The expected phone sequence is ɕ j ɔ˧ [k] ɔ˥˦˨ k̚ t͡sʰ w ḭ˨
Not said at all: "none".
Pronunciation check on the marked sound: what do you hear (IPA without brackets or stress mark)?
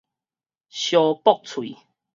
p